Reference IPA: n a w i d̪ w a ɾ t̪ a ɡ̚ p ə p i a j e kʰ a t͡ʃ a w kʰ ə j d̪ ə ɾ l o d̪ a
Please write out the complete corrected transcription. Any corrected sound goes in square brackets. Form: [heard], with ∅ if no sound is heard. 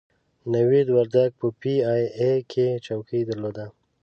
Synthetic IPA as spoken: n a w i d̪ w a ɾ [d̪] a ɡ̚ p ə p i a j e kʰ [e] t͡ʃ a w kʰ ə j d̪ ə ɾ l o d̪ a